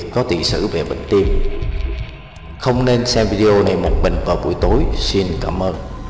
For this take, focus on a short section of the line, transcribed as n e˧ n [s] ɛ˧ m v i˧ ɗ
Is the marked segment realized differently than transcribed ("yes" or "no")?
no